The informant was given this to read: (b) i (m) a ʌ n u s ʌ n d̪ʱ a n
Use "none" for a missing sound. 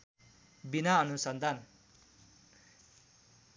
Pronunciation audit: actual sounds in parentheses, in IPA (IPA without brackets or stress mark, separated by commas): b, n